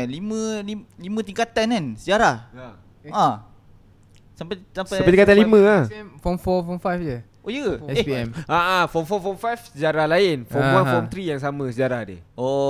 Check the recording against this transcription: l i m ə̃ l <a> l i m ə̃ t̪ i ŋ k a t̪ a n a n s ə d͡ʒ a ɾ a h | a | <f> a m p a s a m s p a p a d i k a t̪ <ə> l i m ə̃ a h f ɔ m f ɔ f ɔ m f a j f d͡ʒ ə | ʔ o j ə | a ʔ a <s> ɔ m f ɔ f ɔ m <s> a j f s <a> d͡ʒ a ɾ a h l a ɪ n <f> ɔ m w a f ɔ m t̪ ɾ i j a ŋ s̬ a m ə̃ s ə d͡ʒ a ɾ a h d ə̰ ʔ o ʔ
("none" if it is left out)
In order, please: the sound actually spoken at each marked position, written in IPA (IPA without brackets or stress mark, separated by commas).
i, s, a, f, f, ə, f